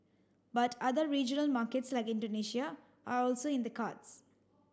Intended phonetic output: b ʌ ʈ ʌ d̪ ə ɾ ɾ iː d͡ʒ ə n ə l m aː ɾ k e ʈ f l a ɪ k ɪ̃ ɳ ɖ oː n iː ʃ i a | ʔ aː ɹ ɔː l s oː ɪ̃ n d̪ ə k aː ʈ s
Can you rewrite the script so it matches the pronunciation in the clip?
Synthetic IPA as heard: b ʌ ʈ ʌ d̪ ə ɾ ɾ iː d͡ʒ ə n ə l m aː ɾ k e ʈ s l a ɪ k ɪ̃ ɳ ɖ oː n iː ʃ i a | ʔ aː ɾ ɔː l s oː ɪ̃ n d̪ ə k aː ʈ s